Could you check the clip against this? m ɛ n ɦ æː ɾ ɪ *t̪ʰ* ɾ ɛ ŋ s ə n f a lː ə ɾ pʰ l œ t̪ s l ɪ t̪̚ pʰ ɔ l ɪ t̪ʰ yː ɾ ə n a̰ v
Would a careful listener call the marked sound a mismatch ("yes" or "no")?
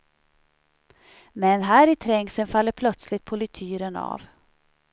no